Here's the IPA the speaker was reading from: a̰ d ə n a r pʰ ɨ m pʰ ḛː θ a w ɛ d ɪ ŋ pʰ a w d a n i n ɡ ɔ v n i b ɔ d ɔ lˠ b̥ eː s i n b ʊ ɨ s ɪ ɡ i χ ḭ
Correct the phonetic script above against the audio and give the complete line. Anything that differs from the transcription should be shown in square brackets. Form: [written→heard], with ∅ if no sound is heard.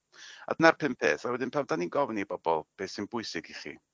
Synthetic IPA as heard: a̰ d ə n a r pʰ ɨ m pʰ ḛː θ a w ɛ d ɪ [ŋ→n] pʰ a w d a n i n ɡ ɔ v n i b ɔ [d→b] ɔ lˠ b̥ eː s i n b ʊ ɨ s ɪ ɡ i χ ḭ

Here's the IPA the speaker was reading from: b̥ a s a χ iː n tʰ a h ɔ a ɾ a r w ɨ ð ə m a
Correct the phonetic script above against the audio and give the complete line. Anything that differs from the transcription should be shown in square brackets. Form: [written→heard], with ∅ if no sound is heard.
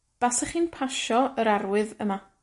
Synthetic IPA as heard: b̥ a s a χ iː n [tʰ→pʰ] a [h→ʃ] ɔ [a→ə] ɾ a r w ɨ ð ə m a

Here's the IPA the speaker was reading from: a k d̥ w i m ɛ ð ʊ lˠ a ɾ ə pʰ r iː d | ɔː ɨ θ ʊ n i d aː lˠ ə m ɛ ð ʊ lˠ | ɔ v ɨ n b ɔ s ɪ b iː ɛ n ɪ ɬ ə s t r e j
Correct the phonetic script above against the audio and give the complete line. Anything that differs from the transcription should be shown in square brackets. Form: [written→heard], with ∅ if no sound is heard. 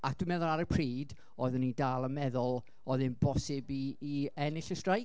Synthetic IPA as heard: a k d̥ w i m ɛ ð ʊ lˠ a ɾ ə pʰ r iː d | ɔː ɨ [θ→ð] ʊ n i d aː lˠ ə m ɛ ð ʊ lˠ | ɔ [v→ð] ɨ n b ɔ s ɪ b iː ɛ n ɪ ɬ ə s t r [e→a] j

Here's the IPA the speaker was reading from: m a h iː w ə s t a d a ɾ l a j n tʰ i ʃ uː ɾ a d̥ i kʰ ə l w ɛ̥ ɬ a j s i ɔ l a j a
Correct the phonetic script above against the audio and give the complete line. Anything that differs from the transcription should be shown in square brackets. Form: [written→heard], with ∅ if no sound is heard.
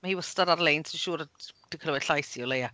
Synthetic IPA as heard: m a h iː w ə s t a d a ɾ l [a→e] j n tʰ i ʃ uː ɾ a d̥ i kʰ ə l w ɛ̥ ɬ a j s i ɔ l [a→e] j a

